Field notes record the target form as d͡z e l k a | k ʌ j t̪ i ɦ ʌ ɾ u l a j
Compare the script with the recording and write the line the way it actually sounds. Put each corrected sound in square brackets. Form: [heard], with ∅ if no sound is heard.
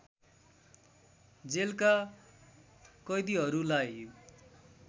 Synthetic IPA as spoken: d͡z e l k a | k ʌ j [d̪] i ɦ ʌ ɾ u l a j

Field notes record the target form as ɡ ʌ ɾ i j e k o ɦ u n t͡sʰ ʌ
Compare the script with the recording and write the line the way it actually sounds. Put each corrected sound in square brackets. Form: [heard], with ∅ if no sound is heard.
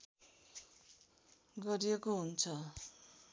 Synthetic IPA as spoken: ɡ ʌ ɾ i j e k o ɦ u n t͡sʰ ʌ

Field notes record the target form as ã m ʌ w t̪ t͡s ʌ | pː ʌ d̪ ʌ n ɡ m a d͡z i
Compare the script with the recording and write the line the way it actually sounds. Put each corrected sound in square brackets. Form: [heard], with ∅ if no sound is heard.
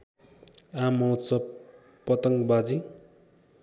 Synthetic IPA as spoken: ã m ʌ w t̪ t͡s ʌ | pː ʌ [t̪] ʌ [ŋ] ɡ [b] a d͡z i

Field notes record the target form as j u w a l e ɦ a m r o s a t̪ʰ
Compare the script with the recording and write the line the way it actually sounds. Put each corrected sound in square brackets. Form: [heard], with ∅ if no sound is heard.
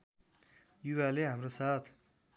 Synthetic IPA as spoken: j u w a l e ɦ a m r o s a t̪ʰ

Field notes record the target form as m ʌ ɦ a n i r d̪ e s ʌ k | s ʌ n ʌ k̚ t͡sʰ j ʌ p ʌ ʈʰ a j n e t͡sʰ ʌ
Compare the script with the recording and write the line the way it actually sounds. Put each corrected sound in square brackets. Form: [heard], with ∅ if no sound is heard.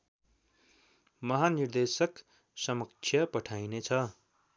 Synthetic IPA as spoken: m ʌ ɦ a n i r d̪ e s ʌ k | s ʌ [m] ʌ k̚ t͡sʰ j ʌ p ʌ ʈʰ a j n e t͡sʰ ʌ

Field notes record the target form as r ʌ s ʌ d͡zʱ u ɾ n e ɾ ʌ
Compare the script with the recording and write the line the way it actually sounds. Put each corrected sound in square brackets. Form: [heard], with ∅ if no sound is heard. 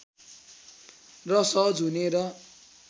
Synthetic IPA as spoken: r ʌ s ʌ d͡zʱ u [∅] n e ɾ ʌ

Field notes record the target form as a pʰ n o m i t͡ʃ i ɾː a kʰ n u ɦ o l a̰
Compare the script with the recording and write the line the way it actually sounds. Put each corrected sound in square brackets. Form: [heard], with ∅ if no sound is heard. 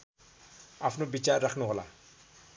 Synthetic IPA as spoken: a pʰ n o [b] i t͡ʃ [a] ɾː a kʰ n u ɦ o l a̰

